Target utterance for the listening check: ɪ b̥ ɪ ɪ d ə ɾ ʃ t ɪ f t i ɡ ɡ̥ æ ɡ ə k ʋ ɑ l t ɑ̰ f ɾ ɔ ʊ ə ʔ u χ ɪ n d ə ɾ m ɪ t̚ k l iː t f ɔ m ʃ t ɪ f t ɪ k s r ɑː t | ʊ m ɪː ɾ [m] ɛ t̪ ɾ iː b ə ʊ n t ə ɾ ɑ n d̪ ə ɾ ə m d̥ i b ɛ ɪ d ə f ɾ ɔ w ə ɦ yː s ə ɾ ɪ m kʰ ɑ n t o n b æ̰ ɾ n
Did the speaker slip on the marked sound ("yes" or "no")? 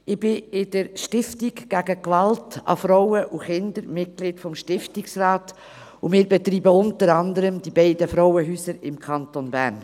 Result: yes